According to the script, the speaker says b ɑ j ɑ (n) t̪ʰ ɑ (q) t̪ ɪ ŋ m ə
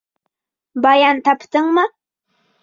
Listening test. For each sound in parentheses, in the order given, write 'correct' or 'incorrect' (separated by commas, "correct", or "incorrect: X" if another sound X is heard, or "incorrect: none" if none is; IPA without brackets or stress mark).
correct, incorrect: p